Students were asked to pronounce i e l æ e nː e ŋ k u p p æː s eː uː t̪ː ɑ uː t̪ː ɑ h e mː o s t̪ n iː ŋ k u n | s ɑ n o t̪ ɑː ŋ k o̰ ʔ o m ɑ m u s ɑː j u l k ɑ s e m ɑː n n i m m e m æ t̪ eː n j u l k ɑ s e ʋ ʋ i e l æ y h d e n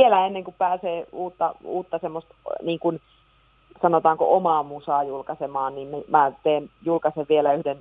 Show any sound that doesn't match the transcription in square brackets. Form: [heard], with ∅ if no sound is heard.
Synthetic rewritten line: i e l æ e nː e ŋ k u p p æː s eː uː t̪ː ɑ uː t̪ː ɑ [s] e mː o s t̪ n iː ŋ k u n | s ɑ n o t̪ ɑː ŋ k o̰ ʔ o m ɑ m u s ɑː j u l k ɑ s e m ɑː n n i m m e m æ t̪ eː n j u l k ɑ s e ʋ ʋ i e l æ y h d e n